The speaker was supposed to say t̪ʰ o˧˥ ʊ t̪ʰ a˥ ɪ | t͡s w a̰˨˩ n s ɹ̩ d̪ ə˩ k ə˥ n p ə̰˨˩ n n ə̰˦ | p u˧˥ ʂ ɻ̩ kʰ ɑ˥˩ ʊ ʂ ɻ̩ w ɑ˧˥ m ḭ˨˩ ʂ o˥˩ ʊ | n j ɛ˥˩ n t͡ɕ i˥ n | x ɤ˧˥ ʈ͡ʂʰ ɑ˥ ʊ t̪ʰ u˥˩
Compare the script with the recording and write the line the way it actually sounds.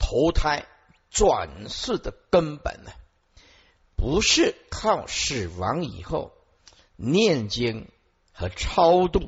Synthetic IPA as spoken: t̪ʰ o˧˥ ʊ t̪ʰ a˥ ɪ | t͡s w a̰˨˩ n s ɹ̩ d̪ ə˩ k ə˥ n p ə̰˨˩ n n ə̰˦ | p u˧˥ ʂ ɻ̩ kʰ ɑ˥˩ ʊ ʂ ɻ̩ w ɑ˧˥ ŋ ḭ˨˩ x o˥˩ ʊ | n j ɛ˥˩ n t͡ɕ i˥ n | x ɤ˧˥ ʈ͡ʂʰ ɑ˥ ʊ t̪ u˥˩